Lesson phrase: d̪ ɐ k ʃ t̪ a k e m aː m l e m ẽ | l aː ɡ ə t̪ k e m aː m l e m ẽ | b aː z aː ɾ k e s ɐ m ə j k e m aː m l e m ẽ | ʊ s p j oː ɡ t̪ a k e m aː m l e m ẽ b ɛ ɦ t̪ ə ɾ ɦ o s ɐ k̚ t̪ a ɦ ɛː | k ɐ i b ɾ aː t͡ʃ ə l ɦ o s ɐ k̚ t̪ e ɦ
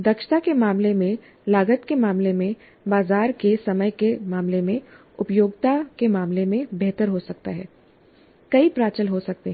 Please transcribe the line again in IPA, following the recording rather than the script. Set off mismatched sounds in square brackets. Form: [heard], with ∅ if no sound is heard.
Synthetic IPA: d̪ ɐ k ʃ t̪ a k e m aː m l e m ẽ | l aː ɡ ə t̪ k e m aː m l e m ẽ | b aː z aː ɾ k e s ɐ m ə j k e m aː m l e m ẽ | ʊ [∅] p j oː ɡ t̪ a k e m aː m l e m ẽ b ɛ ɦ t̪ ə ɾ ɦ o s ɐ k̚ t̪ a ɦ ɛː | k ɐ i [p] ɾ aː t͡ʃ ə l ɦ o s ɐ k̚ t̪ e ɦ

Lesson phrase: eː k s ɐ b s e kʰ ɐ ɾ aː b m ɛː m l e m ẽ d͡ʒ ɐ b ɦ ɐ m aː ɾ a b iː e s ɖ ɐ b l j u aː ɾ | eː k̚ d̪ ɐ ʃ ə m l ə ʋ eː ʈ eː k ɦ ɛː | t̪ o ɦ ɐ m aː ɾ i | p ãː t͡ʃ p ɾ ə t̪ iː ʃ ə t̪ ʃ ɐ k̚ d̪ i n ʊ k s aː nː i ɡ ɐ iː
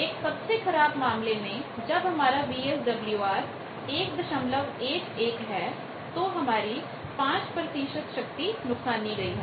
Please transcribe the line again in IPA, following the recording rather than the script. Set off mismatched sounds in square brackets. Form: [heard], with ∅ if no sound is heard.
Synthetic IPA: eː k s ɐ b s e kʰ ɐ ɾ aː b m [aː] m l e m ẽ d͡ʒ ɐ b ɦ ɐ m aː ɾ a b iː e s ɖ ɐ b l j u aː ɾ | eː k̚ d̪ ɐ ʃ ə m l ə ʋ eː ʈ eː k ɦ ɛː | t̪ o ɦ ɐ m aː ɾ i | p ãː t͡ʃ p ɾ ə t̪ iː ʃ ə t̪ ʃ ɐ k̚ [t̪] i n ʊ k s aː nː i ɡ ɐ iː

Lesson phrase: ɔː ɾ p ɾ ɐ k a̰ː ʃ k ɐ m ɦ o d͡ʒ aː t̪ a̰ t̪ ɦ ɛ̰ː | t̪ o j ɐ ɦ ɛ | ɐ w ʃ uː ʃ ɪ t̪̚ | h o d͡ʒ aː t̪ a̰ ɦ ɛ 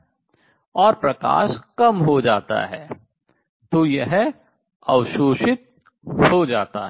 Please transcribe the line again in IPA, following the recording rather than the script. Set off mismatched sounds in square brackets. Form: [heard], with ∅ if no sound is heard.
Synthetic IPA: ɔː ɾ p ɾ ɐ k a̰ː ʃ k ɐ m ɦ o d͡ʒ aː t̪ a̰ [∅] ɦ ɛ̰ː | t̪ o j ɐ ɦ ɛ | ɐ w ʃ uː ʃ ɪ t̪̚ | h o d͡ʒ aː t̪ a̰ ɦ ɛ

